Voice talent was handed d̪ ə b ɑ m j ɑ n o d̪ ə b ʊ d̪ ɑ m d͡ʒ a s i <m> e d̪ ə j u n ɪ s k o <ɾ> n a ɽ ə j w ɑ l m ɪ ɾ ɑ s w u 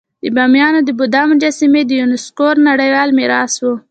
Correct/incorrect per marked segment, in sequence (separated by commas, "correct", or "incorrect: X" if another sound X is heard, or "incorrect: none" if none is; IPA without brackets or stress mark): correct, correct